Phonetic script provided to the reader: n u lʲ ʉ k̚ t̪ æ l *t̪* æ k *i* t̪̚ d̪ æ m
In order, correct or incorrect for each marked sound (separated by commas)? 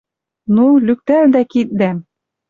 incorrect, correct